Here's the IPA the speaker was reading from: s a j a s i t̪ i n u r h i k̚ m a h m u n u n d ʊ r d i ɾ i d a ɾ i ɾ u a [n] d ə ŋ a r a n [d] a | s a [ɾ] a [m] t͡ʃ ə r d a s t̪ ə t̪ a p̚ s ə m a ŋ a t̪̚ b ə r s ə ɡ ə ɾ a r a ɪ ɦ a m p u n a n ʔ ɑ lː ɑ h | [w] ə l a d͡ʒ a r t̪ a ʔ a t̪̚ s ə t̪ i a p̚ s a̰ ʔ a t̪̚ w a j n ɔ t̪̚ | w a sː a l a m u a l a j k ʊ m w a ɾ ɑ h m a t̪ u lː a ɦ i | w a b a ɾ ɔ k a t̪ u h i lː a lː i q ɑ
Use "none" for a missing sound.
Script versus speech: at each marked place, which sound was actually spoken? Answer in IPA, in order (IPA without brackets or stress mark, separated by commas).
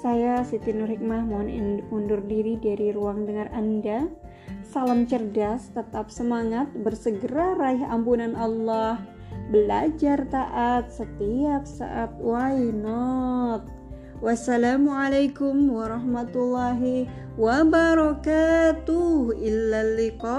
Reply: ŋ, d, l, m, b